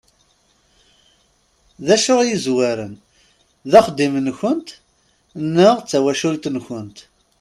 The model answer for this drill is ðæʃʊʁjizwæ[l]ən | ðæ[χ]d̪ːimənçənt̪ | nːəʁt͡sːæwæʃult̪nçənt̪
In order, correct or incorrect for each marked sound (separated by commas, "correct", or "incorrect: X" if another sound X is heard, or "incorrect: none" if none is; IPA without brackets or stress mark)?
incorrect: ɾ, correct